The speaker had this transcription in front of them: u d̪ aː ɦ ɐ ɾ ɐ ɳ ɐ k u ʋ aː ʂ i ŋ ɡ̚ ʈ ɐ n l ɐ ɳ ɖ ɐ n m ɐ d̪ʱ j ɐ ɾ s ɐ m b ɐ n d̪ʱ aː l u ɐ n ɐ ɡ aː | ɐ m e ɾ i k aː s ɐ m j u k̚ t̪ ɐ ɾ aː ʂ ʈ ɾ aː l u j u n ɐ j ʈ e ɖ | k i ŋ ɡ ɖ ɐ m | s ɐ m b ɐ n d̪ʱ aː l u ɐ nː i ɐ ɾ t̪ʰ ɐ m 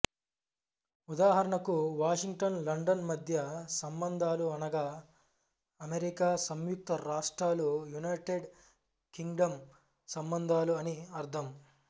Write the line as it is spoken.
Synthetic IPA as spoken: u d̪ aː ɦ ɐ ɾ ɐ ɳ ɐ k u ʋ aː ʂ i ŋ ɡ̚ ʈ ɐ n l ɐ ɳ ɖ ɐ n m ɐ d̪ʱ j ɐ s ɐ m b ɐ n d̪ʱ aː l u ɐ n ɐ ɡ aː | ɐ m e ɾ i k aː s ɐ m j u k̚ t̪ ɐ ɾ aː ʂ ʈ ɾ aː l u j u n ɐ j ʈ e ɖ | k i ŋ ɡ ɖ ɐ m | s ɐ m b ɐ n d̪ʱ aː l u ɐ n i ɐ ɾ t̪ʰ ɐ m